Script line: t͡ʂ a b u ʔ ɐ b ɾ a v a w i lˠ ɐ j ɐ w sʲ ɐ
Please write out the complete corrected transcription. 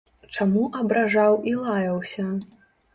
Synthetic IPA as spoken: t͡ʂ a m u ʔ ɐ b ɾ a ʐ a w i lˠ a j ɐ w sʲ ɐ